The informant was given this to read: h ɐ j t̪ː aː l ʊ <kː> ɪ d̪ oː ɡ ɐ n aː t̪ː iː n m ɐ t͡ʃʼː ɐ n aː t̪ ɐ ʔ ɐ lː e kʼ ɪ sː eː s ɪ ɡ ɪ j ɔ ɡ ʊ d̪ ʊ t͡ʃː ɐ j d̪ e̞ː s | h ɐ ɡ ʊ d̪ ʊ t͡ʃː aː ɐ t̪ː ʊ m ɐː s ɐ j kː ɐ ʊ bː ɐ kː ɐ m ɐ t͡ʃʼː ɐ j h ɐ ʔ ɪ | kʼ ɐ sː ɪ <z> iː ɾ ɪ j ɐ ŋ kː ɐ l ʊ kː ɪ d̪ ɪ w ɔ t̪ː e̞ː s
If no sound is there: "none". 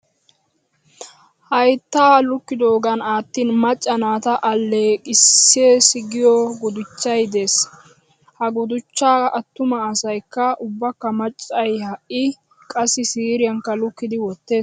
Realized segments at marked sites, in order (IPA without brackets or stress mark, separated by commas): kː, s